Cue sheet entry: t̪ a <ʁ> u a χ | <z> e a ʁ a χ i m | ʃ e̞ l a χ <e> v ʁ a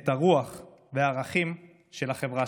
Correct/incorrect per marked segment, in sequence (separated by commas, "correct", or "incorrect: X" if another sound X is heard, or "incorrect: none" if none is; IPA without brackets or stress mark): correct, incorrect: v, correct